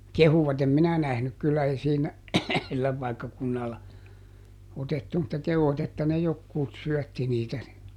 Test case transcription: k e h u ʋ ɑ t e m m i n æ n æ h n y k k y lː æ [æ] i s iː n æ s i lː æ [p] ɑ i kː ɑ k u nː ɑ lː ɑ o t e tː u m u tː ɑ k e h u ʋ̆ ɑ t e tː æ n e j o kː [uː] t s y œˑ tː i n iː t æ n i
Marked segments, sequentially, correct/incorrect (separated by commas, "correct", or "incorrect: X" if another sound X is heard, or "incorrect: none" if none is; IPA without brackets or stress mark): incorrect: e, correct, correct